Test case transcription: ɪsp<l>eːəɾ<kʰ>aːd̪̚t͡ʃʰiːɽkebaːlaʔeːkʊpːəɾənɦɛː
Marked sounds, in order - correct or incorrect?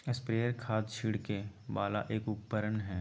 incorrect: ɾ, correct

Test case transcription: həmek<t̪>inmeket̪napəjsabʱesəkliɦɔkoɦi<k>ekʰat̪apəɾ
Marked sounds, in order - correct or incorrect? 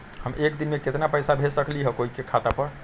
incorrect: d̪, correct

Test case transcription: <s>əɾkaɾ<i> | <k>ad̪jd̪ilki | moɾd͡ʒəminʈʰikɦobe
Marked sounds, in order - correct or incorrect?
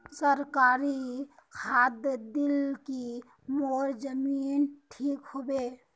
correct, correct, incorrect: kʰ

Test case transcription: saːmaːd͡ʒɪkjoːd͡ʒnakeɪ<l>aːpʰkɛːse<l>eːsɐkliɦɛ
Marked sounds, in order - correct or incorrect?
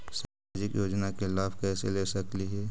correct, correct

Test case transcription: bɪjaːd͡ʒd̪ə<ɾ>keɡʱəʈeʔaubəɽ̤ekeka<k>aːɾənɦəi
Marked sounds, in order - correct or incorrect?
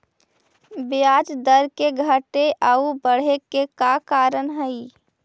correct, correct

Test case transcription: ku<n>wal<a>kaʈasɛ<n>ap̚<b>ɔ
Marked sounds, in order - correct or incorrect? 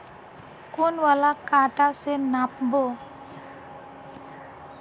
correct, correct, correct, correct

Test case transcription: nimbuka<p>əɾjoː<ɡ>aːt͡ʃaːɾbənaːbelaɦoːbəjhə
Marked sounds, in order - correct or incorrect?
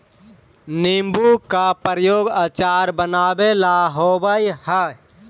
correct, correct

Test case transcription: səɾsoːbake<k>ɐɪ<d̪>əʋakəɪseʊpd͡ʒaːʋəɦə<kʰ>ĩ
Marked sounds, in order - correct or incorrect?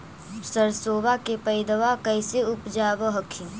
incorrect: p, correct, correct

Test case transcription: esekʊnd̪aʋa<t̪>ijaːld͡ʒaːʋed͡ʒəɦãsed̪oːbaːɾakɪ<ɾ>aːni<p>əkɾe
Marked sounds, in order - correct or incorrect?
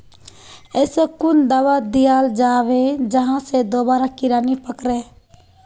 incorrect: d̪, correct, correct

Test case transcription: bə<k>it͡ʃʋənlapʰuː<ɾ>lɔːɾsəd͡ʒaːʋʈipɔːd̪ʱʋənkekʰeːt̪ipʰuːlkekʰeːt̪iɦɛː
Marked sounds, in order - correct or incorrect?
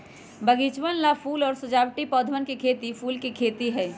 incorrect: ɡ, incorrect: none

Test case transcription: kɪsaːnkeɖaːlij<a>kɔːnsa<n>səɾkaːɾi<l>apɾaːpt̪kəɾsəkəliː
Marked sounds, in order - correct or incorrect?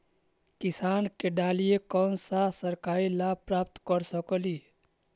incorrect: e, incorrect: none, correct

